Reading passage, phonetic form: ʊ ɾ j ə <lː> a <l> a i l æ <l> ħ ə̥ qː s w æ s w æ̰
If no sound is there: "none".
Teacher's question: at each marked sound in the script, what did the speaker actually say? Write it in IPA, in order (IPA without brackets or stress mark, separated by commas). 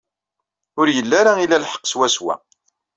lː, ɾ, l